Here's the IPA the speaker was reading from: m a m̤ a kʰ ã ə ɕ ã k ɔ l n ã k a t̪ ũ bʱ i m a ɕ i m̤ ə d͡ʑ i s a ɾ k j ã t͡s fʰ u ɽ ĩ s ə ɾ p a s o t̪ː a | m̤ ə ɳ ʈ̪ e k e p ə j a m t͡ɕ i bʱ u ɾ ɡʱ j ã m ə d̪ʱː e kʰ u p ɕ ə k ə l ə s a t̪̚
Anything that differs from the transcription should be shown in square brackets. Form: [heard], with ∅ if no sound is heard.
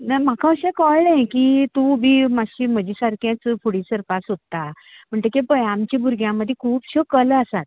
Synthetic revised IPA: [n] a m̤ a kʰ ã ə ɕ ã k ɔ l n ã k [i] t̪ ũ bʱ i m a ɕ i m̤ ə d͡ʑ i s a ɾ k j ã t͡s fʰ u ɽ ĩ s ə ɾ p a s o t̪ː a | m̤ ə ɳ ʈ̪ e k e p ə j a m t͡ɕ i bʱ u ɾ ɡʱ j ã m ə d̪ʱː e kʰ [uː] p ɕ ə k ə l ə s a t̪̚